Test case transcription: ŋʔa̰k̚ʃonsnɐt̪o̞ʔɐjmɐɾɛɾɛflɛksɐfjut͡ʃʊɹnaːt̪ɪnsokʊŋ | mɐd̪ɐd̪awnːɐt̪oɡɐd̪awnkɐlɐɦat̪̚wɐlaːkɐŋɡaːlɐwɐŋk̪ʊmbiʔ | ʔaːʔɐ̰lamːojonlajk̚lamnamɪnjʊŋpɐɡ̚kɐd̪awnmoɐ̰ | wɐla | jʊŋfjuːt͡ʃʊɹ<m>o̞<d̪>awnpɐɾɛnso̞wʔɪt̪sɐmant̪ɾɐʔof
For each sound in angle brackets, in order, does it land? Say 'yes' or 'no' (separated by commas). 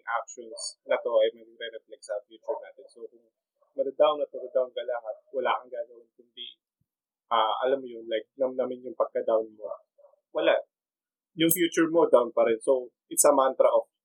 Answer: yes, yes